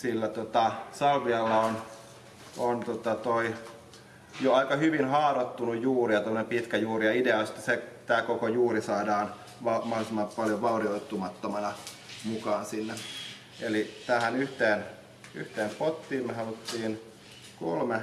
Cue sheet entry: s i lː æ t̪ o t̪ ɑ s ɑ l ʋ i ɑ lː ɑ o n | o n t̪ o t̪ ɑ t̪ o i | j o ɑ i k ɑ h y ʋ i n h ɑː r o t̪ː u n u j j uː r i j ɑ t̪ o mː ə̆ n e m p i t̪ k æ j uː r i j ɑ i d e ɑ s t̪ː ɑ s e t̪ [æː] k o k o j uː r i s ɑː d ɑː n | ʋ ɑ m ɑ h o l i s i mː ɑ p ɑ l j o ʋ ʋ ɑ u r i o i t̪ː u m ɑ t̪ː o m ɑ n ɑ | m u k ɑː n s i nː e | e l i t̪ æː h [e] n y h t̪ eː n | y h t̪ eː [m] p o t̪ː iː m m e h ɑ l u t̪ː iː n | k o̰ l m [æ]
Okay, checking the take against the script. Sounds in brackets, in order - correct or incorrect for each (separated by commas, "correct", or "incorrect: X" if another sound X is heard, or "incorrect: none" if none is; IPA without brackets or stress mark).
correct, incorrect: æ, correct, incorrect: e